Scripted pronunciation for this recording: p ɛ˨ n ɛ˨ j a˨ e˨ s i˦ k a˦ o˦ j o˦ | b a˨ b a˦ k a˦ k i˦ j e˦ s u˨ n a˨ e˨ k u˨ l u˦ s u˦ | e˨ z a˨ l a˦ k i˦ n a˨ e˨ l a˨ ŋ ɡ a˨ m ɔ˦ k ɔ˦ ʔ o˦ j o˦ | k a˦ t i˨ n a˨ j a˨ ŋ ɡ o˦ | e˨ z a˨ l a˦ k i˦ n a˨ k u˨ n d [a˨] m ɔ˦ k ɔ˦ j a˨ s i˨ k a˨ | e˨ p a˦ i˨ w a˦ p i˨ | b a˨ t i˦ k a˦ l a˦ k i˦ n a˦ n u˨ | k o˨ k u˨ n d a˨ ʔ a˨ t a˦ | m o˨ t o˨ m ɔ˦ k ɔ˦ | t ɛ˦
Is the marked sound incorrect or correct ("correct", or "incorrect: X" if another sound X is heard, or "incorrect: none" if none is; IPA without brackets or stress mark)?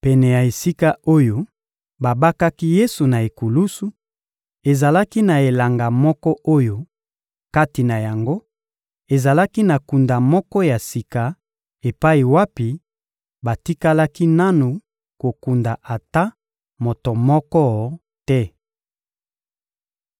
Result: correct